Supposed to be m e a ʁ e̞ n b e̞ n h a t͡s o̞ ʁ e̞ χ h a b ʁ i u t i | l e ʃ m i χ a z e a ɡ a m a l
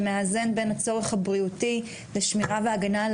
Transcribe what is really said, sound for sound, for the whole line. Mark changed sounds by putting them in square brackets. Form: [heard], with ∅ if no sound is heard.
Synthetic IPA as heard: m e a [z] e̞ n b e̞ n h a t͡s o̞ ʁ e̞ χ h a b ʁ i u t i | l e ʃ m i [ʁ] a [v] e a ɡ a [n] a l